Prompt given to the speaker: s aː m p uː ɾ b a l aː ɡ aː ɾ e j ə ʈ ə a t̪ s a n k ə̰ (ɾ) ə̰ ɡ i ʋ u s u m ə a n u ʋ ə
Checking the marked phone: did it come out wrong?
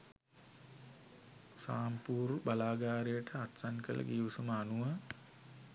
yes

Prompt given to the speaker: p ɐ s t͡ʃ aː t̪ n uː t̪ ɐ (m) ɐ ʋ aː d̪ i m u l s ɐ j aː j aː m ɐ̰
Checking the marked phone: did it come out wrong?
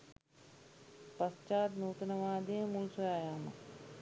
yes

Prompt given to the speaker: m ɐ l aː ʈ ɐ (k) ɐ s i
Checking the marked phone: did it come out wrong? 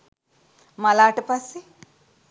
yes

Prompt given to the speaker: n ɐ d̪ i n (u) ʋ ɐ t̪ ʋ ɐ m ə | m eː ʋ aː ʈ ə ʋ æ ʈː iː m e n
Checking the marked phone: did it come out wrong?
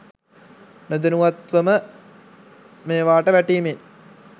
no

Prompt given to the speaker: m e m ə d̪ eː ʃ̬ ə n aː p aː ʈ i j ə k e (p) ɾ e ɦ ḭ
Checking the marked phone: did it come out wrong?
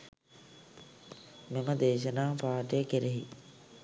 yes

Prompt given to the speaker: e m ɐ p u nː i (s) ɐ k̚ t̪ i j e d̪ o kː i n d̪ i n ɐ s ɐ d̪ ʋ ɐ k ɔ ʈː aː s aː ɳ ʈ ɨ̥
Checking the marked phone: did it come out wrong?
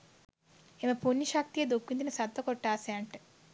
yes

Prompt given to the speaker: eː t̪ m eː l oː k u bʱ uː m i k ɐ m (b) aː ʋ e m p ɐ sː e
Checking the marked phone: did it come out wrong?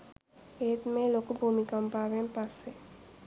yes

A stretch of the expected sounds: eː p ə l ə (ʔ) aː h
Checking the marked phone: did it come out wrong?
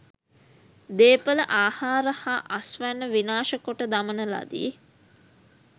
no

